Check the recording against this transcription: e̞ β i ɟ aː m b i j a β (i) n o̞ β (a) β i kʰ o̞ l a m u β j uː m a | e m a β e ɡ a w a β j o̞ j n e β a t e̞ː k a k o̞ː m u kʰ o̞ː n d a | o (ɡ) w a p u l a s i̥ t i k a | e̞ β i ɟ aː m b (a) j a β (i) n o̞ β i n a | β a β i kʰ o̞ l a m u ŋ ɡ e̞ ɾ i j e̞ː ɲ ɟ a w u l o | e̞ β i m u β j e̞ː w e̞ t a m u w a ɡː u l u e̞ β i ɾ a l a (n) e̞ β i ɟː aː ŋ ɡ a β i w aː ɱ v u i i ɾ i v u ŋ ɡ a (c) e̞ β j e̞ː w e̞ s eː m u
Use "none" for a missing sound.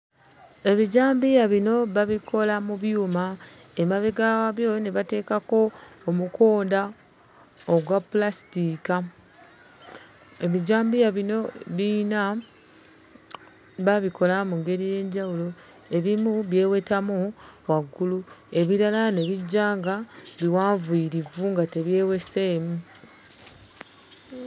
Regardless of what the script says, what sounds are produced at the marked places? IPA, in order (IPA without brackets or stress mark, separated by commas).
i, a, ɡ, i, i, n, t